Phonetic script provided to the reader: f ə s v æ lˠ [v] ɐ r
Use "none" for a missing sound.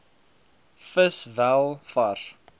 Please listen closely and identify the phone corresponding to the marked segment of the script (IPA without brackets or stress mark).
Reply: f